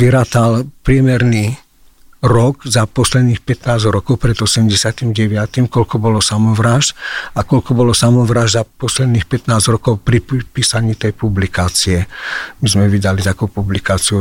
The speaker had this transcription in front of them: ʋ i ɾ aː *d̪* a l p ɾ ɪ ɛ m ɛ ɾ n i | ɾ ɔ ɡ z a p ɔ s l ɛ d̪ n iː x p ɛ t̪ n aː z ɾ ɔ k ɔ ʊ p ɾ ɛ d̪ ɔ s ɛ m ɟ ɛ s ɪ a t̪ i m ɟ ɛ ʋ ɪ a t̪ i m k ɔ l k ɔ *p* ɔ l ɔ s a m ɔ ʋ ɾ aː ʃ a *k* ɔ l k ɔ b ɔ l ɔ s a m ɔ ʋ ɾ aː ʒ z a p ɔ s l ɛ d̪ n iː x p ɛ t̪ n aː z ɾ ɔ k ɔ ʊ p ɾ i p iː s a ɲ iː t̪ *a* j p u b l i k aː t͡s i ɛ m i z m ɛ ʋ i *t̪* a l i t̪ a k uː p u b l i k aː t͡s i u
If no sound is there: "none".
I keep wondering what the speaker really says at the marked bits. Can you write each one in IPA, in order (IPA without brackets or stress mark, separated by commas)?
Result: t̪, b, k, ɛ, d̪